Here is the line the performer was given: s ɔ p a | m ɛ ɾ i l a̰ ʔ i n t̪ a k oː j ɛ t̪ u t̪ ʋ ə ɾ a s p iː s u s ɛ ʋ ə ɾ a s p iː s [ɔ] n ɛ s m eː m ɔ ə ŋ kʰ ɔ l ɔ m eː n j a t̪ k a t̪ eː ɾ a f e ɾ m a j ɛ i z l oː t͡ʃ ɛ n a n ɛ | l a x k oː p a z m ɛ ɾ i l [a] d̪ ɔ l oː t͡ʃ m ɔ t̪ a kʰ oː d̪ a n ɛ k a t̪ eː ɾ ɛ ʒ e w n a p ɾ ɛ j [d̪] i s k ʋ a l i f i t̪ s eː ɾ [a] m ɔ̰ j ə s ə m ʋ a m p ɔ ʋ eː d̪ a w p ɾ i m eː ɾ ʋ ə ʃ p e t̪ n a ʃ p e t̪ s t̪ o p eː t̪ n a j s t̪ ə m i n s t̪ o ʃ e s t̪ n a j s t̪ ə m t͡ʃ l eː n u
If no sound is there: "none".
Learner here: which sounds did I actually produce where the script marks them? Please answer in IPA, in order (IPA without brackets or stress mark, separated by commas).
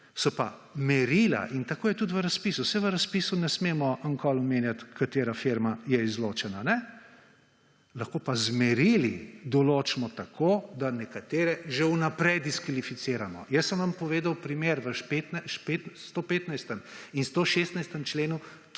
u, i, d̪, a